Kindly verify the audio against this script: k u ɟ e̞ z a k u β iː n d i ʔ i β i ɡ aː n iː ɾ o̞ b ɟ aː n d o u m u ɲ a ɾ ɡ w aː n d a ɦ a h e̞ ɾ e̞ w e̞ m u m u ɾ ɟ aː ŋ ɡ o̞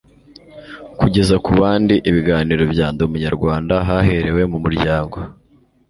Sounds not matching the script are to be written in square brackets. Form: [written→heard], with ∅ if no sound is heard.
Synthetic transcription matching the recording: k u ɟ e̞ z a k u β [iː→aː] n d i ʔ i β i ɡ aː n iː ɾ o̞ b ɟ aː n d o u m u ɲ a ɾ ɡ w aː n d a ɦ a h e̞ ɾ e̞ w e̞ m u m u ɾ ɟ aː ŋ ɡ o̞